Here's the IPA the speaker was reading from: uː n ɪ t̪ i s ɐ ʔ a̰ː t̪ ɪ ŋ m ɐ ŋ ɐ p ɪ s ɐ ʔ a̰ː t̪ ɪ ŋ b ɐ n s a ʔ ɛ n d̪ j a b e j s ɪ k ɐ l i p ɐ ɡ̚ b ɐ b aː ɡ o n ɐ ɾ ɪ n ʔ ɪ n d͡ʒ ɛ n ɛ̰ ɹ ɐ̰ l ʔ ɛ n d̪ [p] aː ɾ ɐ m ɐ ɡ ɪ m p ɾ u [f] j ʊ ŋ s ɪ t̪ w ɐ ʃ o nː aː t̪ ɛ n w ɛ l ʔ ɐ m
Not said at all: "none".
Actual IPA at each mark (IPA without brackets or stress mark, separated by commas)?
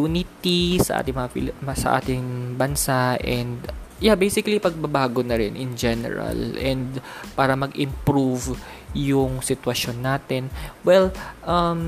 p, v